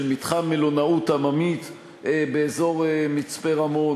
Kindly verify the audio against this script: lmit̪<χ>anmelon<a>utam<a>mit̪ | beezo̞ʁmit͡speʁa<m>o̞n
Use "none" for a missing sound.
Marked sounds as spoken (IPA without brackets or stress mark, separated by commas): χ, a, a, m